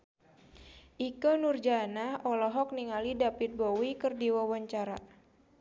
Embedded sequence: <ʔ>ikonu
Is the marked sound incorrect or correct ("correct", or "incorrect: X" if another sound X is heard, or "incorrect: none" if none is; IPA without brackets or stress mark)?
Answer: correct